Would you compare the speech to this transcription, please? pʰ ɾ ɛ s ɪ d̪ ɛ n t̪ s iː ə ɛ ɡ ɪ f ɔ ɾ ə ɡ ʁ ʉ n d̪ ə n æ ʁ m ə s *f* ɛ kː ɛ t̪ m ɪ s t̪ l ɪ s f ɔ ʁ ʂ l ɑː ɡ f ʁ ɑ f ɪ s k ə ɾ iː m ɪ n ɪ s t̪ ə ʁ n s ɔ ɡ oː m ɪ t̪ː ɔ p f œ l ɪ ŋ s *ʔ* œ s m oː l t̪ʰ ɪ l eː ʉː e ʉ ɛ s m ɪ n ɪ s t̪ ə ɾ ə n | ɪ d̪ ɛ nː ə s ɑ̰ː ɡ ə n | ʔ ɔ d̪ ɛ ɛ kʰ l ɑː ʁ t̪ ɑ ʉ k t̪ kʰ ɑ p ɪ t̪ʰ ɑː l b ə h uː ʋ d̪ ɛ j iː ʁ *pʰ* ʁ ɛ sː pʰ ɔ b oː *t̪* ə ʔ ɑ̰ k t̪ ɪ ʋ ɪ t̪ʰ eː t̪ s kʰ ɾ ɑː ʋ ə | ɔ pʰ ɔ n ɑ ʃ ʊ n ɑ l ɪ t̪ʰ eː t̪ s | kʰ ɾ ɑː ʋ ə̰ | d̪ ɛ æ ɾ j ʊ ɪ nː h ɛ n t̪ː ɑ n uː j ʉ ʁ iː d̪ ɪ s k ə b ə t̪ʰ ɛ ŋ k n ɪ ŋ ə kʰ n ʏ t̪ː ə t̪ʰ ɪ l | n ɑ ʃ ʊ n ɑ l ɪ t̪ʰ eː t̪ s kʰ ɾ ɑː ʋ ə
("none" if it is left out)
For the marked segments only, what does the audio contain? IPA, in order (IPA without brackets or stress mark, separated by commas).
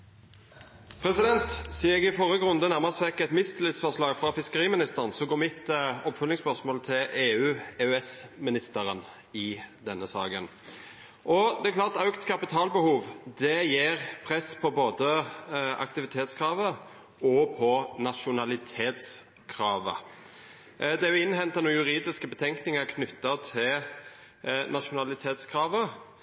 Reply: f, p, pʰ, d̪